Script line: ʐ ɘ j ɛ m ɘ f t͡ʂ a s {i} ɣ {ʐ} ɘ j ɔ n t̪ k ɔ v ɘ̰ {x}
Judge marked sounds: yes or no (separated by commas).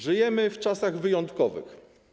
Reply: no, no, yes